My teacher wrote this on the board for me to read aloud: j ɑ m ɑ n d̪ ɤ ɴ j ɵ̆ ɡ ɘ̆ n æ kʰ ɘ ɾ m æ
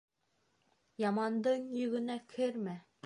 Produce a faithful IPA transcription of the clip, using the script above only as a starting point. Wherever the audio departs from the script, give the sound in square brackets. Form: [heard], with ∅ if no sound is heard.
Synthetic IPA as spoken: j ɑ m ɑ n d̪ ɤ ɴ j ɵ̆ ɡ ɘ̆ n æ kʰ ɘ ɾ m æ